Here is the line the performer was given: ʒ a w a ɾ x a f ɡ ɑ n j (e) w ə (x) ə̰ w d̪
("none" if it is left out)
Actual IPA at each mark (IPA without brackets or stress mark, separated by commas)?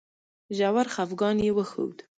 e, x